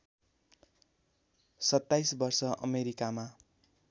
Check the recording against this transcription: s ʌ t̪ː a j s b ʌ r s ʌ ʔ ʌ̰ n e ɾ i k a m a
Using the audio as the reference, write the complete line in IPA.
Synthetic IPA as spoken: s ʌ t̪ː a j s b ʌ r s ʌ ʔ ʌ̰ m e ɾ i k a m a